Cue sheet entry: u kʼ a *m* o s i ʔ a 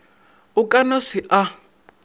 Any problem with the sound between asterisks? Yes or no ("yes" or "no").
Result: yes